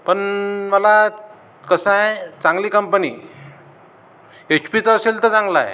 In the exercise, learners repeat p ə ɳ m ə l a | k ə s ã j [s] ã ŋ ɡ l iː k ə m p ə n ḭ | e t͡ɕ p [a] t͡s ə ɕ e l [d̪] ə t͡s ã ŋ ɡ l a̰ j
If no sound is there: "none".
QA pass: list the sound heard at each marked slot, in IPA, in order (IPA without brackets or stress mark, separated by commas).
t͡s, i, t̪